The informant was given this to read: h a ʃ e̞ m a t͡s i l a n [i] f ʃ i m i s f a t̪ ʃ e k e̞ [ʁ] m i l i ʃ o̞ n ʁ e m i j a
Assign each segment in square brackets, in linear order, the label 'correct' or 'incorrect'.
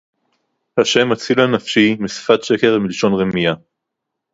incorrect, correct

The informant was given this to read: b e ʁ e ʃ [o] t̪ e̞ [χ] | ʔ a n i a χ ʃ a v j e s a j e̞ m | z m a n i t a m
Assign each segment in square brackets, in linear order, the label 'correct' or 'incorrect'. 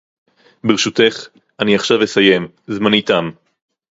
incorrect, correct

